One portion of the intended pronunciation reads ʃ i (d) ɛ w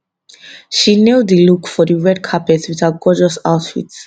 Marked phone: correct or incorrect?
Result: incorrect: n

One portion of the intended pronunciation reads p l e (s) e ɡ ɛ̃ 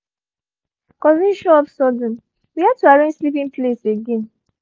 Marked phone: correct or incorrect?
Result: correct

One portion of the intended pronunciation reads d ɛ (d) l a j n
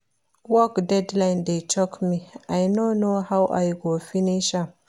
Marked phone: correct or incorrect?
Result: correct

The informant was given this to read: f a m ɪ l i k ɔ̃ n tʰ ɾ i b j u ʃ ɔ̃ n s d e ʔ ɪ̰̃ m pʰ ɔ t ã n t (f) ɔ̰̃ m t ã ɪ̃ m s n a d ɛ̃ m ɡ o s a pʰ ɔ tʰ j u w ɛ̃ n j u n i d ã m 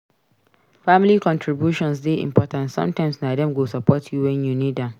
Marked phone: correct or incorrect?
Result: incorrect: s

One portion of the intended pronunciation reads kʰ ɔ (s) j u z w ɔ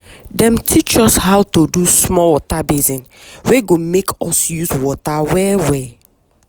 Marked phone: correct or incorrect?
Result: correct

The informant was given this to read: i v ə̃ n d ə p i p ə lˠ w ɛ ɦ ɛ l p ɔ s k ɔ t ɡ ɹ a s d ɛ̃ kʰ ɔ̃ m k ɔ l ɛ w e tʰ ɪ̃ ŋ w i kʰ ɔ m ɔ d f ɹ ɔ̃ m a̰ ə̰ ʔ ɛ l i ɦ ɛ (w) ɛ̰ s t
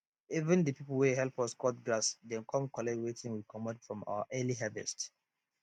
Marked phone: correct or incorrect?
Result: incorrect: v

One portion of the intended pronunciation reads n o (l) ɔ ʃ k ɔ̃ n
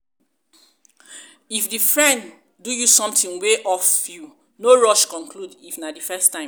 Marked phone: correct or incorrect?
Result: incorrect: ɹ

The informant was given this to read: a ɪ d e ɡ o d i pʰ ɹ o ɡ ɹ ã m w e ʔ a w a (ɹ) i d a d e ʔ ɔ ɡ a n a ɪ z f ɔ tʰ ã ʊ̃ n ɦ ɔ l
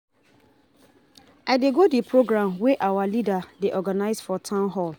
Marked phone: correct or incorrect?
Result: incorrect: l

